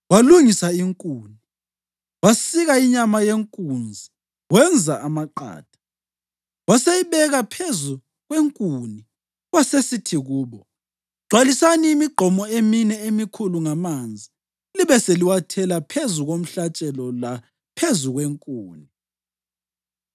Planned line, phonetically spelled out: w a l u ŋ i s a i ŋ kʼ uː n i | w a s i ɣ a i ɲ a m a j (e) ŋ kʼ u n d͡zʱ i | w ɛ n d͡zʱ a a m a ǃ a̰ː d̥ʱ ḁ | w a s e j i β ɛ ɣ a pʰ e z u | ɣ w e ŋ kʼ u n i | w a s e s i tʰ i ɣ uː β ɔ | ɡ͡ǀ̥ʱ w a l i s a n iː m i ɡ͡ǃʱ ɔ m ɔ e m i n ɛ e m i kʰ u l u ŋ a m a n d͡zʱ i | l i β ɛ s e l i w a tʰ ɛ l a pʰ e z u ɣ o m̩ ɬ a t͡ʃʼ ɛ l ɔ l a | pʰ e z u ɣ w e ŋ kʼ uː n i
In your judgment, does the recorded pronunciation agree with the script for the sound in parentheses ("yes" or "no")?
yes